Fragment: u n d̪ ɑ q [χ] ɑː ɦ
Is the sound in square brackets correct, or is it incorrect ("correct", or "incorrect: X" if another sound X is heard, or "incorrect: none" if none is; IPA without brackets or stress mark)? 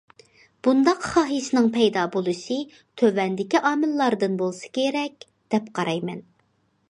correct